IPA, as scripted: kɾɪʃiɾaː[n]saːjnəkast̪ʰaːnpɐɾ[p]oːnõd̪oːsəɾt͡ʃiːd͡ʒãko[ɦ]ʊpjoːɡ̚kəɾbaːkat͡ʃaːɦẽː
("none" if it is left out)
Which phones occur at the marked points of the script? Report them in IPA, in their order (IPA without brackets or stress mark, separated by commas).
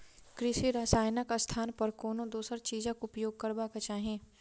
none, k, none